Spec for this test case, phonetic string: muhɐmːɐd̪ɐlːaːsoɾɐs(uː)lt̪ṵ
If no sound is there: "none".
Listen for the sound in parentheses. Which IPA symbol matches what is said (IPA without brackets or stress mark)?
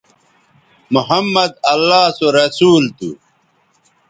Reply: uː